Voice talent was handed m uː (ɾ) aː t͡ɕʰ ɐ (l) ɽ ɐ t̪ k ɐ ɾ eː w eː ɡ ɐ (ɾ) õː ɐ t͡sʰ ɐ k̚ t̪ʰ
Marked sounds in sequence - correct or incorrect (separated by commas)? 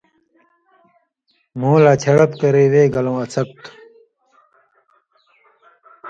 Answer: incorrect, incorrect, incorrect